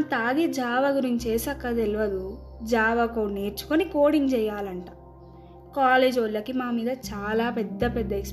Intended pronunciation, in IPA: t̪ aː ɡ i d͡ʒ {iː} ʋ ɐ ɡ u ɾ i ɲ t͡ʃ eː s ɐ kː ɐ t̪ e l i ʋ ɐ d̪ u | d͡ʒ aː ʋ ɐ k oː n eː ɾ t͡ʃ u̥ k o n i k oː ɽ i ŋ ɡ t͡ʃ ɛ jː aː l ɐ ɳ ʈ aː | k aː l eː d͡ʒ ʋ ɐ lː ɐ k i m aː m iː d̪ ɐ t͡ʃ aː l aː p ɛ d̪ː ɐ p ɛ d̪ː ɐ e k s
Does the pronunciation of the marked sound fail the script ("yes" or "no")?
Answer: yes